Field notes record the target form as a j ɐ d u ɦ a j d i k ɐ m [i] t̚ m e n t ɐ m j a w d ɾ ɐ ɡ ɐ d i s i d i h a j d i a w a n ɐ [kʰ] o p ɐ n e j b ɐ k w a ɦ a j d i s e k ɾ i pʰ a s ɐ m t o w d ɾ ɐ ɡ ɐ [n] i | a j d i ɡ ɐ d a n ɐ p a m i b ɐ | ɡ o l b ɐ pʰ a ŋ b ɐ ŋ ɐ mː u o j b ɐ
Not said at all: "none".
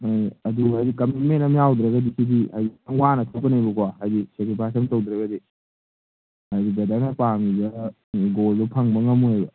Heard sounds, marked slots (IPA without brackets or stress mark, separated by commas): i, tʰ, d